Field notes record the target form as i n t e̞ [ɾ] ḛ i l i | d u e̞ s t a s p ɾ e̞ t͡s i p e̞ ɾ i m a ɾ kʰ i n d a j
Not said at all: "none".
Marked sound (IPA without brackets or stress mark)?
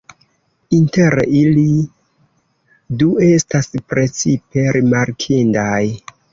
ɾ